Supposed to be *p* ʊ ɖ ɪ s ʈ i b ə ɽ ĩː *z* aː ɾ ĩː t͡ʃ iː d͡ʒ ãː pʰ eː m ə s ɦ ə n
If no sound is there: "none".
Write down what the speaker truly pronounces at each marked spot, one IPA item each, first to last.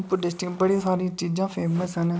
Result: p, s

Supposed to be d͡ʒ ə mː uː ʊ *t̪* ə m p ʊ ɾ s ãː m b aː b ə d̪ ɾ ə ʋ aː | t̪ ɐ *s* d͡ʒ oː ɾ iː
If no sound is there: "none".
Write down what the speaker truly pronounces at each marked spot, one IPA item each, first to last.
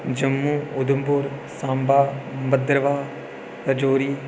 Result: d̪, none

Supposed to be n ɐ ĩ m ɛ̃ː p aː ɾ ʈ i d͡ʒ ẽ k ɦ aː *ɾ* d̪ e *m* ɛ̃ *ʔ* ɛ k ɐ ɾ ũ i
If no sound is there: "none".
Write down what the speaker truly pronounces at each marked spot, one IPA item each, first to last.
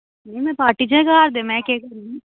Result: ɾ, m, k

